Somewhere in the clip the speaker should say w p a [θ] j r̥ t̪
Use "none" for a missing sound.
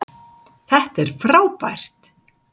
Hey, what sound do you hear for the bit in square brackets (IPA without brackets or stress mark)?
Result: none